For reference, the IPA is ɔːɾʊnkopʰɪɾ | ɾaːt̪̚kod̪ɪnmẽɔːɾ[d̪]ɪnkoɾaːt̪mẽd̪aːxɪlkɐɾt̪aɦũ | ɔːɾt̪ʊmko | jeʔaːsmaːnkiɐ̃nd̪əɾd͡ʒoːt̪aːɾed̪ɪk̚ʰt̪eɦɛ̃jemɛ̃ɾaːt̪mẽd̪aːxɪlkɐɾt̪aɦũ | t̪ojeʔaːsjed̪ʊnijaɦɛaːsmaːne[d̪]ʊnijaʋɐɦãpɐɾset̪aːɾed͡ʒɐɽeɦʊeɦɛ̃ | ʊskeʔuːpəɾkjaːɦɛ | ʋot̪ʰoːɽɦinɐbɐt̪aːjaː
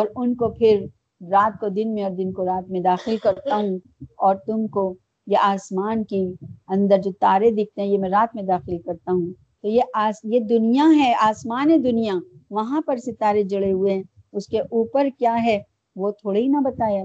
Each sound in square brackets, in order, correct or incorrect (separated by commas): correct, correct